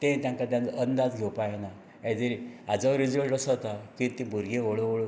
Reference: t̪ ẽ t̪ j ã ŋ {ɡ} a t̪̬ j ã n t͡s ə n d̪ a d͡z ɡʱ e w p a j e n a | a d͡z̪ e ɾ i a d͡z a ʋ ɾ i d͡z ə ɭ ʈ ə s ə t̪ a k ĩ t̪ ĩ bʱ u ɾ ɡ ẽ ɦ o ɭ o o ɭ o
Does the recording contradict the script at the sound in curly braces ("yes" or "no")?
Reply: yes